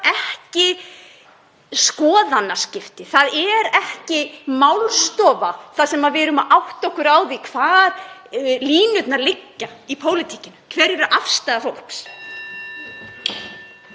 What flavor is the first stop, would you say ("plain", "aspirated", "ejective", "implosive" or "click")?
plain